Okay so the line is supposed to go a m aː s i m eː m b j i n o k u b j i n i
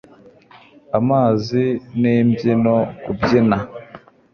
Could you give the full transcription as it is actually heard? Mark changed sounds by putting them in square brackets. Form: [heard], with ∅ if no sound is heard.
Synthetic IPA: a m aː [z] i [n] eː m b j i n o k u b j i n [a]

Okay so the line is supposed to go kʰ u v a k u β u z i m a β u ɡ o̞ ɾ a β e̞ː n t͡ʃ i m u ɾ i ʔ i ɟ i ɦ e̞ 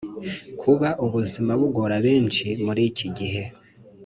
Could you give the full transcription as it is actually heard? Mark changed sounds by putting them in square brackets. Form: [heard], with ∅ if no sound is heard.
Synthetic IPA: kʰ u [β] a [ʔ] u β u z i m a β u ɡ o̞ ɾ a β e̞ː n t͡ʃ i m u ɾ i [c] i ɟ i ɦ e̞

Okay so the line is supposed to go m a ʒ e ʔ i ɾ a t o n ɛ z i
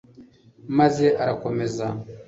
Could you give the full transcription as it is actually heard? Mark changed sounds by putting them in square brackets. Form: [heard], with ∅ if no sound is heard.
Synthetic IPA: m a [z] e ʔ [a] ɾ a [k] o [m] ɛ z [a]

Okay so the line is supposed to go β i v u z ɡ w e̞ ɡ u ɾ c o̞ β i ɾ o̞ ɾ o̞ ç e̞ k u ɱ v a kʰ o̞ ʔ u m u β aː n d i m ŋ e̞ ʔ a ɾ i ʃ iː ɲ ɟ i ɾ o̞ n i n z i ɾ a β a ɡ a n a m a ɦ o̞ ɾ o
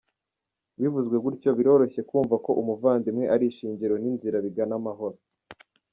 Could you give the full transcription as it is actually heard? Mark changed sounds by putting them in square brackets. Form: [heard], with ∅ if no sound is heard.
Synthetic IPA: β i v u z ɡ w e̞ ɡ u ɾ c o̞ β i ɾ o̞ ɾ o̞ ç e̞ k [uː] ɱ v a [k] o̞ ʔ u m u [v] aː n d i m ŋ e̞ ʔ a ɾ i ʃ iː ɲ ɟ i ɾ o̞ n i n z i ɾ a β [i] ɡ a n a m a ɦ o̞ ɾ o

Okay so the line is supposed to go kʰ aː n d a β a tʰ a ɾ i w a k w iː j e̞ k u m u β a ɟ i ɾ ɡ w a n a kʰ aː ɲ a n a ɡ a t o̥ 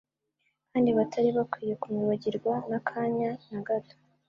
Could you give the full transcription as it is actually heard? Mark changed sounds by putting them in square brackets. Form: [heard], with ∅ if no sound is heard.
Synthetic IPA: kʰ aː n d [i] β a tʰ a ɾ i [β] a k w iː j e̞ k u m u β a ɟ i ɾ ɡ w a n a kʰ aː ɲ a n a ɡ a t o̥

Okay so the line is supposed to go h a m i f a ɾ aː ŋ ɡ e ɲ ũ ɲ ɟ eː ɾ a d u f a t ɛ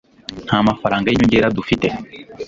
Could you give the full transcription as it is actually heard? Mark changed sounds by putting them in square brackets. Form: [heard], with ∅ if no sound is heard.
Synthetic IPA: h a m [a] f a ɾ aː ŋ ɡ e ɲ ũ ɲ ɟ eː ɾ a d u f [i] t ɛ

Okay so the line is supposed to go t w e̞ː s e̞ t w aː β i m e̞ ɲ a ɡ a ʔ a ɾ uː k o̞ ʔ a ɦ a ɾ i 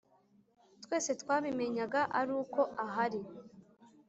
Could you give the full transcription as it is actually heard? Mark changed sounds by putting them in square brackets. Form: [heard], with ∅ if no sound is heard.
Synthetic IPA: t w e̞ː s e̞ t w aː β i m e̞ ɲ a ɡ a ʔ a ɾ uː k o̞ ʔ a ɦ a ɾ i

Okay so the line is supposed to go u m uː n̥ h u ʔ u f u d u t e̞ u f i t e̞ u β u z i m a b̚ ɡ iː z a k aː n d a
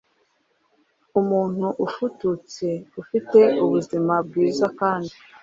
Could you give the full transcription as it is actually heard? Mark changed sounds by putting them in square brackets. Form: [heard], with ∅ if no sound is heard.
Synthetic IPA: u m uː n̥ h u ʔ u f u [t] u [t͡s] e̞ u f i t e̞ u β u z i m a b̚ ɡ iː z a k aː n d [i]

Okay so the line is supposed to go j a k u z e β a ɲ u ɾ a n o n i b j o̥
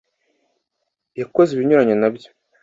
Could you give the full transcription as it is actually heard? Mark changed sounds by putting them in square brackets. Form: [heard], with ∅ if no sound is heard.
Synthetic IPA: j a k [o] z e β [i] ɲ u ɾ a [ɲ] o n [a] b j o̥

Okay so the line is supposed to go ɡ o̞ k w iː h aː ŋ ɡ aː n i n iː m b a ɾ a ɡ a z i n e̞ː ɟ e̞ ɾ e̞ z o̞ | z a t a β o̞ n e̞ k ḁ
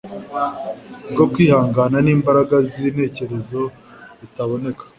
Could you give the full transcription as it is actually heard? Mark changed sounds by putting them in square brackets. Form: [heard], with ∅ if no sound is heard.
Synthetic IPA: ɡ o̞ k w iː h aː ŋ ɡ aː n [a] n iː m b a ɾ a ɡ a z i n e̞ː [c] e̞ ɾ e̞ z o̞ | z [i] t a β o̞ n e̞ k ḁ

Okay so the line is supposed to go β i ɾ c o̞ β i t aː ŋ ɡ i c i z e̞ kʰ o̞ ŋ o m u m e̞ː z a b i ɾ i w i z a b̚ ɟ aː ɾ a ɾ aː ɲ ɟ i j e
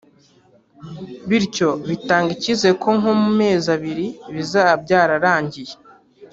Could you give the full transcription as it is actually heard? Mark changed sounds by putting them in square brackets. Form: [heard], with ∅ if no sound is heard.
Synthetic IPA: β i ɾ c o̞ β i t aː ŋ ɡ i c i z e̞ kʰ o̞ ŋ o m u m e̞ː z a [β] i ɾ i [β] i z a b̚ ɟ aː ɾ a ɾ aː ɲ ɟ i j e

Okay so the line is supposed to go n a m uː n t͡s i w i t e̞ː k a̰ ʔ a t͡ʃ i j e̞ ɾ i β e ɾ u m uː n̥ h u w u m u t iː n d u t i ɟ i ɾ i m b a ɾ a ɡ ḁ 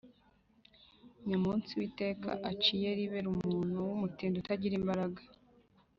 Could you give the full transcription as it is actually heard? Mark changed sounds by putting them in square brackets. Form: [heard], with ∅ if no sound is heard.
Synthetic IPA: [ɲ] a m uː n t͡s i w i t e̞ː k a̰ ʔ a t͡ʃ i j e̞ ɾ i β e ɾ u m uː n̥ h u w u m u t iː n d u t [a] ɟ i ɾ i m b a ɾ a ɡ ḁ

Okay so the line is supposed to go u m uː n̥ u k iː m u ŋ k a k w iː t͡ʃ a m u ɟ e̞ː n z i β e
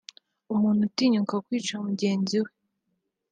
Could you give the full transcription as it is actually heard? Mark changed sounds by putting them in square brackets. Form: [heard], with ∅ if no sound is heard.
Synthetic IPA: u m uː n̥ u [t] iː [ɲ] u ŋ k a k w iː t͡ʃ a m u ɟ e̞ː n z i [w] e

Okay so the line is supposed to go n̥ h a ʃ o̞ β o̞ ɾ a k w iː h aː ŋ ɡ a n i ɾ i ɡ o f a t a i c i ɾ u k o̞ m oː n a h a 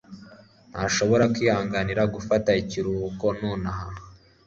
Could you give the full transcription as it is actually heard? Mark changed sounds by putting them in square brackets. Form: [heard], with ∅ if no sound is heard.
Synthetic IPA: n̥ h a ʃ o̞ β o̞ ɾ a k w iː h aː ŋ ɡ a n i ɾ [a] ɡ [u] f a t a i c i ɾ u k o̞ [n] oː n a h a

